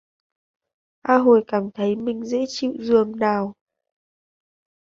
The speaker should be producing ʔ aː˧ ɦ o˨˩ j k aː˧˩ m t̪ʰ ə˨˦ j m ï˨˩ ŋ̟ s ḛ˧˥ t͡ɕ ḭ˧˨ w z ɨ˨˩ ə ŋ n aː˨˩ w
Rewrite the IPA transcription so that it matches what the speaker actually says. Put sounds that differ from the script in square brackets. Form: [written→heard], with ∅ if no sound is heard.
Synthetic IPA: ʔ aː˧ ɦ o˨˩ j k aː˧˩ m t̪ʰ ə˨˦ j m ï˨˩ ŋ̟ [s→z] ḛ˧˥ t͡ɕ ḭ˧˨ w z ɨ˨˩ ə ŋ n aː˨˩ w